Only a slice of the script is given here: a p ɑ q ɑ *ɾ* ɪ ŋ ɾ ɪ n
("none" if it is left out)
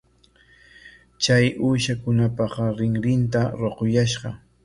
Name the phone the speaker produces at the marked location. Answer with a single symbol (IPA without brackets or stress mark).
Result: ɾ